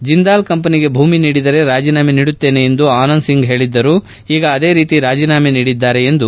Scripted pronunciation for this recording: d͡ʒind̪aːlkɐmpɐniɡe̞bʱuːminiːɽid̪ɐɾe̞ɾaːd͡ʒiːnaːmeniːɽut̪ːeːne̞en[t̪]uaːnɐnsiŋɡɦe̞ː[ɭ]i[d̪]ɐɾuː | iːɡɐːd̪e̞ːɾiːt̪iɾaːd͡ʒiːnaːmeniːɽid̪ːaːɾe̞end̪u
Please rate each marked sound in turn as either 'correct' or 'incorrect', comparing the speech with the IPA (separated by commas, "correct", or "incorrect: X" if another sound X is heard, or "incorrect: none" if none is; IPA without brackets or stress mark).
incorrect: d̪, correct, incorrect: d̪ː